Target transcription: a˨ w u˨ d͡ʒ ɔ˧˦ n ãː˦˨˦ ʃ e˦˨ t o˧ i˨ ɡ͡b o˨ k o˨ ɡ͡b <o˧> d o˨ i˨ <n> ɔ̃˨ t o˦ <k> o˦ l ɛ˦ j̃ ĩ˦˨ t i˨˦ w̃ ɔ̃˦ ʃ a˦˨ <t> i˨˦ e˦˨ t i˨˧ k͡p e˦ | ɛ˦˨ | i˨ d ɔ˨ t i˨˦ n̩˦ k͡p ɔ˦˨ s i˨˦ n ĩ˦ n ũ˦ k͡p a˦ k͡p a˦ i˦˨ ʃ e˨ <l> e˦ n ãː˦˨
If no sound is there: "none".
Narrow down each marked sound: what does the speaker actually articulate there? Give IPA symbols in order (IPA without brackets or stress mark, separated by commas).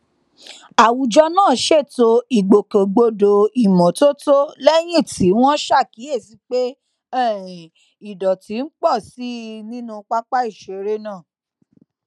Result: o˧, m, t, k, ɾ